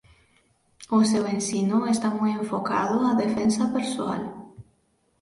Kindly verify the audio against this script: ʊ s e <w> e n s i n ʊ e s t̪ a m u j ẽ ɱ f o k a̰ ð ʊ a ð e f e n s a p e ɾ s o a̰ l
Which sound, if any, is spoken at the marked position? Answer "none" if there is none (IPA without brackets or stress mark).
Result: w